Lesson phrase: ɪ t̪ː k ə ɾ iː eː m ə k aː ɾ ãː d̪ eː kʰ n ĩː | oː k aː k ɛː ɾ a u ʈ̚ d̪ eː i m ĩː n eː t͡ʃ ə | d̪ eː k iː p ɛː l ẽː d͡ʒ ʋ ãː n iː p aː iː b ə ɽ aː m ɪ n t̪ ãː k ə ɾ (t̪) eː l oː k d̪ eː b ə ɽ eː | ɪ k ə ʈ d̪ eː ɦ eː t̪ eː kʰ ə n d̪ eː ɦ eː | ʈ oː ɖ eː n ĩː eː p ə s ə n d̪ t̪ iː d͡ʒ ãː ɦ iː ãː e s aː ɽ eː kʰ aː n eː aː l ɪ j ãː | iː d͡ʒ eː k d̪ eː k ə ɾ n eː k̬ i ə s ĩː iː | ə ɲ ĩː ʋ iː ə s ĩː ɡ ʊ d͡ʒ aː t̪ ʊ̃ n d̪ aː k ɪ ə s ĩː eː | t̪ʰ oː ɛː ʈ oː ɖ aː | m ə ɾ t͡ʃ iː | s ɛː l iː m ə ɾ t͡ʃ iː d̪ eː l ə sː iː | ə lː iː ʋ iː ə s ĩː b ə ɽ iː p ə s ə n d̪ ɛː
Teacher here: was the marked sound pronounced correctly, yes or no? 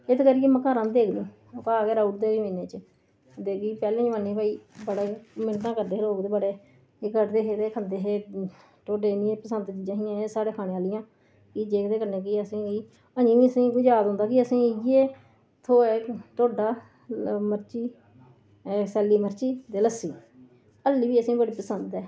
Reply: no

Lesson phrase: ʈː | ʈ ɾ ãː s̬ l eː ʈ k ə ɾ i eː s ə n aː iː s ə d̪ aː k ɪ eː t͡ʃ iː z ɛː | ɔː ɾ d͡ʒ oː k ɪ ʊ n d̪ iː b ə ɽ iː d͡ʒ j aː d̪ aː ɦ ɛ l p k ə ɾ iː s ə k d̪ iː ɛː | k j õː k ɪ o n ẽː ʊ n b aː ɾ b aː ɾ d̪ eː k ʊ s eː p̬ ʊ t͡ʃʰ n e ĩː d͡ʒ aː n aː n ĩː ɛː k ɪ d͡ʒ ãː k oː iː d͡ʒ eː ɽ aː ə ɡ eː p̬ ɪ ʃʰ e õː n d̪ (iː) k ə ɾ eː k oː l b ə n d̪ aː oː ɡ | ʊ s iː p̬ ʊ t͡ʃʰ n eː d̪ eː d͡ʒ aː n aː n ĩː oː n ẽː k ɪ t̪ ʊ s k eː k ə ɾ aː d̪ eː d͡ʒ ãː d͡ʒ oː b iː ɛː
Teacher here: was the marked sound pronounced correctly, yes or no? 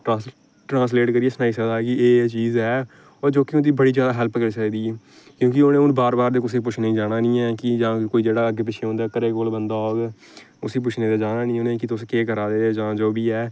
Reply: no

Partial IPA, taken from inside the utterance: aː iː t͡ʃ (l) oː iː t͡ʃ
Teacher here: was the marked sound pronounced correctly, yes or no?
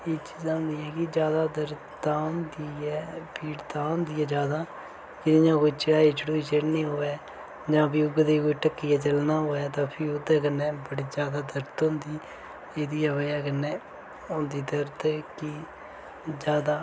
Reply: no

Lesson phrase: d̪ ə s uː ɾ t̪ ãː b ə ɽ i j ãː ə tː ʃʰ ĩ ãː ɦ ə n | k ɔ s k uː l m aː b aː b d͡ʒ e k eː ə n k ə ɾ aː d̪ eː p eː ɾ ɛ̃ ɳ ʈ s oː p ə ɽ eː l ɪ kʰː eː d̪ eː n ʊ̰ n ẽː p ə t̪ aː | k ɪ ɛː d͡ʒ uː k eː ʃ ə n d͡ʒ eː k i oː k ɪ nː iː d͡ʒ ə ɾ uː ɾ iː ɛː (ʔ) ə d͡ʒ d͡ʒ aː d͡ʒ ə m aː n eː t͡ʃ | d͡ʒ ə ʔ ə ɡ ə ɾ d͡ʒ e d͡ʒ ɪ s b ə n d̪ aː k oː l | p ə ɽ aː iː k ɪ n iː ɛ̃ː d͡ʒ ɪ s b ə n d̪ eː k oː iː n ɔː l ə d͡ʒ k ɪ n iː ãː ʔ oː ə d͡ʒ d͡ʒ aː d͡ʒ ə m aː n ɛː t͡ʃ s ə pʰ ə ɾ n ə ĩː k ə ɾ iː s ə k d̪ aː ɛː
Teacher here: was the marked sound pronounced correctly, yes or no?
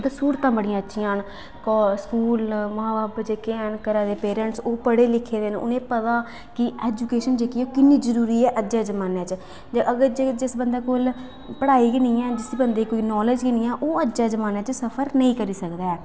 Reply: yes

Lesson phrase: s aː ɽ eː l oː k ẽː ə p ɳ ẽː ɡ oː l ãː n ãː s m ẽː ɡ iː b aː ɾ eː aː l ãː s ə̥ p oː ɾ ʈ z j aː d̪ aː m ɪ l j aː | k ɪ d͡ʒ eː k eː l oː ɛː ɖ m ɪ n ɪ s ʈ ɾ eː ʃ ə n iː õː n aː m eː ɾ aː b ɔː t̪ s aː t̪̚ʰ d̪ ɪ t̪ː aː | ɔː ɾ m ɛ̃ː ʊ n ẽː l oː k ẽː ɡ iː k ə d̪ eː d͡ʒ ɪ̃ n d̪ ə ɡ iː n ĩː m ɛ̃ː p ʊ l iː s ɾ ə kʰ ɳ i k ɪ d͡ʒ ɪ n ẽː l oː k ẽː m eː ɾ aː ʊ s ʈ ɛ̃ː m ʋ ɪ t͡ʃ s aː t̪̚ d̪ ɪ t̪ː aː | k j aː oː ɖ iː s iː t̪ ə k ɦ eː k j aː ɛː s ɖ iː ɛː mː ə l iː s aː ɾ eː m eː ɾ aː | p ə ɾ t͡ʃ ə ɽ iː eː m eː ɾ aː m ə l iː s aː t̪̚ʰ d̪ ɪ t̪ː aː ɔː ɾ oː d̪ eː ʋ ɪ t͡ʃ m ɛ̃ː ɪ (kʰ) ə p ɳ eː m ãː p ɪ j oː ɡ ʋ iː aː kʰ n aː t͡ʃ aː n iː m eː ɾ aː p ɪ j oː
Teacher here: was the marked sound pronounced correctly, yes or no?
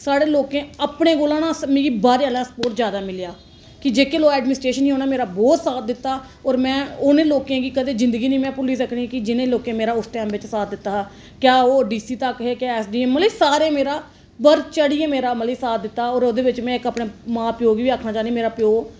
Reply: no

